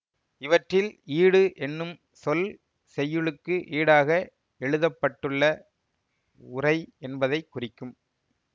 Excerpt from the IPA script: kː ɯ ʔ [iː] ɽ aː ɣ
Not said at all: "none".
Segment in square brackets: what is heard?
iː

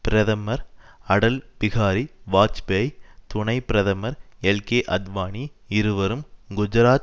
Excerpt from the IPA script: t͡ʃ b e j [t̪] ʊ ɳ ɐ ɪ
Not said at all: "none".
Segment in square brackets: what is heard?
t̪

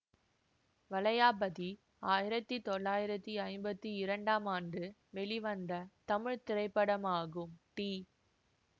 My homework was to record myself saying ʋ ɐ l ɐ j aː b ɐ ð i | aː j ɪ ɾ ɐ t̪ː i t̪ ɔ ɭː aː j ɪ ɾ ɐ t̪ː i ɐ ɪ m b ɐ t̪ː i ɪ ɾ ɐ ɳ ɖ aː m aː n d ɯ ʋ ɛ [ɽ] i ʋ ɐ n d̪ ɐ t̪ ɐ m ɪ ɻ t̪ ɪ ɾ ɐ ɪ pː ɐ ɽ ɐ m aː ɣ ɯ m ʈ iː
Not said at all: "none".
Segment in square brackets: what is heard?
ɭ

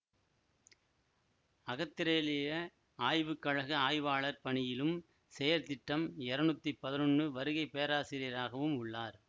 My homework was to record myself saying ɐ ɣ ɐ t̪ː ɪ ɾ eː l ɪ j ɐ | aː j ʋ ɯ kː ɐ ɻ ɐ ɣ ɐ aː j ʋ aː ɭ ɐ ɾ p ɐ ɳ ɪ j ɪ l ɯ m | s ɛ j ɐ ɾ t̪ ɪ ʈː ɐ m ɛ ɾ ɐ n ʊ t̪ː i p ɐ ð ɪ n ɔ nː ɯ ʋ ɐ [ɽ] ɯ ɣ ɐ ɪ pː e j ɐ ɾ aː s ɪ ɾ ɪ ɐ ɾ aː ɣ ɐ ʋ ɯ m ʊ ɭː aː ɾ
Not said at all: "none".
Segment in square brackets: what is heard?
ɾ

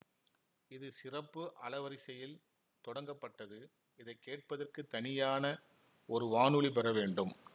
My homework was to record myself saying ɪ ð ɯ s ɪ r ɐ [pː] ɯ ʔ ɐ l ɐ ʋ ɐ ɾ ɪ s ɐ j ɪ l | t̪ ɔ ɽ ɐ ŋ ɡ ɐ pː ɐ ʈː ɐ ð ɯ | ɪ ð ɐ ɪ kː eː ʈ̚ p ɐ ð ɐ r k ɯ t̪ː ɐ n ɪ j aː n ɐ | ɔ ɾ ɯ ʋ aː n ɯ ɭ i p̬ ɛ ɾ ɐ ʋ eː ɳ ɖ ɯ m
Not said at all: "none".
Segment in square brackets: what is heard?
pː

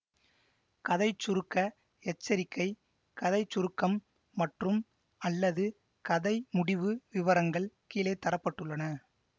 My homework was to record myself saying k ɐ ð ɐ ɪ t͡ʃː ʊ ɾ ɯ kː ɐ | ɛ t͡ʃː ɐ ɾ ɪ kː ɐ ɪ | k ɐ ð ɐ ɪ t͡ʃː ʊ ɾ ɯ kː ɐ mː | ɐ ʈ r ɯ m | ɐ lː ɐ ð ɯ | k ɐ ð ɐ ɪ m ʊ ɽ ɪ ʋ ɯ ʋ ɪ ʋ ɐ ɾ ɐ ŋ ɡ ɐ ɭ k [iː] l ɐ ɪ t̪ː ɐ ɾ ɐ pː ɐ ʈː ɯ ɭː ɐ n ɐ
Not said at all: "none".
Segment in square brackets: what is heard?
iː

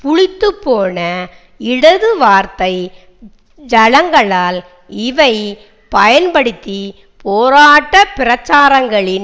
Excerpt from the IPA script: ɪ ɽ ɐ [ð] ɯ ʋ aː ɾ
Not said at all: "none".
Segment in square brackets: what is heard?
ð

